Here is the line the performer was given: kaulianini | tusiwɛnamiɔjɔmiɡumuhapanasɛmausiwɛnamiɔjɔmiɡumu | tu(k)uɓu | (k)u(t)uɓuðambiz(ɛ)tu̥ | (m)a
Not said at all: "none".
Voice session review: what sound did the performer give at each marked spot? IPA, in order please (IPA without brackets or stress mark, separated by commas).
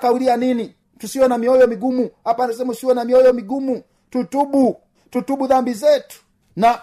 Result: t, t, t, ɛ, n